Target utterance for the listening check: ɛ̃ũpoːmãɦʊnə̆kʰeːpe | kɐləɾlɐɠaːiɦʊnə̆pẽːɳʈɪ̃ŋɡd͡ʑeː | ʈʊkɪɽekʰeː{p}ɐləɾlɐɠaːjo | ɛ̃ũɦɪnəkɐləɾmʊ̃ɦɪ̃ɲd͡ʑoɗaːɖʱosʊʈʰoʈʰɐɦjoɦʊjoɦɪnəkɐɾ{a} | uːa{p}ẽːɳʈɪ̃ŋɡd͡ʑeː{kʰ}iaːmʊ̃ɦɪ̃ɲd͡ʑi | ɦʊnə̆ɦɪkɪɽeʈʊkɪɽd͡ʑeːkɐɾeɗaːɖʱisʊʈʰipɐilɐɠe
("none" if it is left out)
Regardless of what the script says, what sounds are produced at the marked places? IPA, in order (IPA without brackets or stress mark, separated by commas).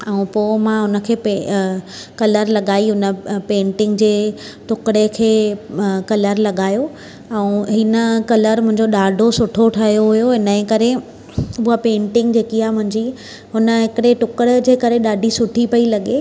k, e, p, k